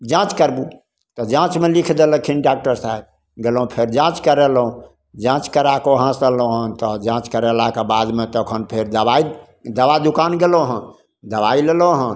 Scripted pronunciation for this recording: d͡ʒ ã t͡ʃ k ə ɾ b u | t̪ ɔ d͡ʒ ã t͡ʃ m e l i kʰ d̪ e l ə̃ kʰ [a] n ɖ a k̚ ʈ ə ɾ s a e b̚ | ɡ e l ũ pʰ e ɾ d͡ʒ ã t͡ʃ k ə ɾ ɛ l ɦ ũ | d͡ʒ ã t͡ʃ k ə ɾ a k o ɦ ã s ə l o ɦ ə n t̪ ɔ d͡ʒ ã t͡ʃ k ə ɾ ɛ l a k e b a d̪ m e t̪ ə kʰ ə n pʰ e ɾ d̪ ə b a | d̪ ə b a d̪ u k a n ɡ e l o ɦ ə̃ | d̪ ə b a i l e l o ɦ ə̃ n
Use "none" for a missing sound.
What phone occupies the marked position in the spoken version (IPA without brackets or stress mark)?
i